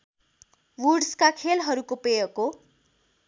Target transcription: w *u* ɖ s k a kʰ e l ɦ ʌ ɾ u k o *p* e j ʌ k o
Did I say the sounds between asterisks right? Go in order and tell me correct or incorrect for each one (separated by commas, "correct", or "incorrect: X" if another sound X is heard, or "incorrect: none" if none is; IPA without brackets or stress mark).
correct, correct